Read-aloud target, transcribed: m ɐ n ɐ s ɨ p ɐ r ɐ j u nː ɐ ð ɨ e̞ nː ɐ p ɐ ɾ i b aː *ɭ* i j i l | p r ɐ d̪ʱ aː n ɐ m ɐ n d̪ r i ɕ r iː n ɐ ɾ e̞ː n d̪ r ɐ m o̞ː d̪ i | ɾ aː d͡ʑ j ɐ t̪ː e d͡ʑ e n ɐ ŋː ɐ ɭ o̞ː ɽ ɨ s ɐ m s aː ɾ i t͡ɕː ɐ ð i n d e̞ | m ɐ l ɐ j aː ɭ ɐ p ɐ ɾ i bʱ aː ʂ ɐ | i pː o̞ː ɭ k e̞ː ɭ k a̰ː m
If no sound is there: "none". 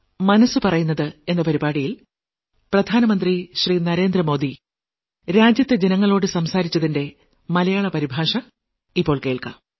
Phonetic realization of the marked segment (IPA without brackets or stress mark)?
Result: ɽ